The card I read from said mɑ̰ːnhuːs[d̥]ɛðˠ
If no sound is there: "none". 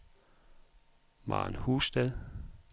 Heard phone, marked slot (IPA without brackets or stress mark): d̥